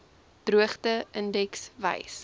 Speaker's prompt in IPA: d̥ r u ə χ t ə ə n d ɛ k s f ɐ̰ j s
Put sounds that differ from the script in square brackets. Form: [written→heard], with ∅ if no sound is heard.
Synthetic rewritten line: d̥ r u ə χ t ə ə n d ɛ k s [f→v] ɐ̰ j s